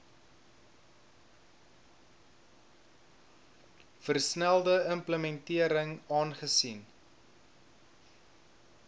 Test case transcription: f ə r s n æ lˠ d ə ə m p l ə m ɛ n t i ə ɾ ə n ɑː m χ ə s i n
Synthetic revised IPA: f ə r s n æ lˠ d ə ə m p l ə m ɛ n t i ə ɾ ə ŋ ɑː n χ ə s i n